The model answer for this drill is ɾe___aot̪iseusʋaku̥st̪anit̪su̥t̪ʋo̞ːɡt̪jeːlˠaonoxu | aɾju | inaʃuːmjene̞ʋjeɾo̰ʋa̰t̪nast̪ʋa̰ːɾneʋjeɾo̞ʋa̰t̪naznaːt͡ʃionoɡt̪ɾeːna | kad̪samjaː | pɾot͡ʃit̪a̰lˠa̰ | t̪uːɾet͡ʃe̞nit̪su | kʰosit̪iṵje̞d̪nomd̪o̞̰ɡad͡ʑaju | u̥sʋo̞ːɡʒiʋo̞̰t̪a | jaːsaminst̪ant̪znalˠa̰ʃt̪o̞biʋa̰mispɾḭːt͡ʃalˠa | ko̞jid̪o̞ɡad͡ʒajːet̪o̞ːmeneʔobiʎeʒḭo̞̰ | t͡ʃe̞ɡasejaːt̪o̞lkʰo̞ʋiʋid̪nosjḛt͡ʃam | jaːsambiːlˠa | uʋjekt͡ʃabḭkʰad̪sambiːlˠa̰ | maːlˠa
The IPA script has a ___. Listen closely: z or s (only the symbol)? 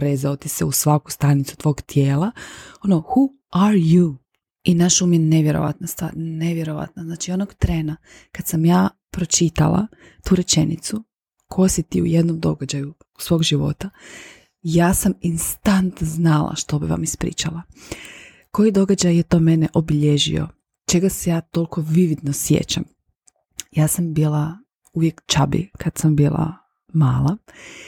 z